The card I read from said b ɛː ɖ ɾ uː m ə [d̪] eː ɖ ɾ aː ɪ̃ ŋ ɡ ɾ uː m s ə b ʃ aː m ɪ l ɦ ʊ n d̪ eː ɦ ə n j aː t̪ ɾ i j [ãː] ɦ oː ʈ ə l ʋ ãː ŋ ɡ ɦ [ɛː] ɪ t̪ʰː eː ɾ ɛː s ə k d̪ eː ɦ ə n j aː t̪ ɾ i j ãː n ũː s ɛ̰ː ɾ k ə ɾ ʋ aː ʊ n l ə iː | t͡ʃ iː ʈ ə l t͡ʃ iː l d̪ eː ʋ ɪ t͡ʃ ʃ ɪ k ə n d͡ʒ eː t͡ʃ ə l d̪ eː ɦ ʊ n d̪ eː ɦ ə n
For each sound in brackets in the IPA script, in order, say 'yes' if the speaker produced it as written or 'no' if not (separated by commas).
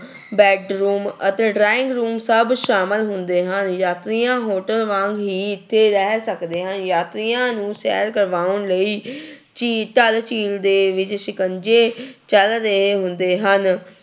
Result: no, yes, no